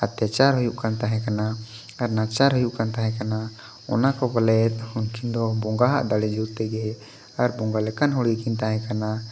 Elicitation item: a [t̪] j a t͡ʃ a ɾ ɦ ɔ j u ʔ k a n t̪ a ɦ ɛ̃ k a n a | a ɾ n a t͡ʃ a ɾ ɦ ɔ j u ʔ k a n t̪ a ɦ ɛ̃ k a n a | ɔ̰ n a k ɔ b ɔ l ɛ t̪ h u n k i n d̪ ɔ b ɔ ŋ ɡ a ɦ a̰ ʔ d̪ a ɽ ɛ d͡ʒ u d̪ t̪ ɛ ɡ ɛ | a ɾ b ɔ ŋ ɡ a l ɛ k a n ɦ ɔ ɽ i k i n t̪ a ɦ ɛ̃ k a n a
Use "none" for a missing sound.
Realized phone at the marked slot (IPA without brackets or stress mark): t̪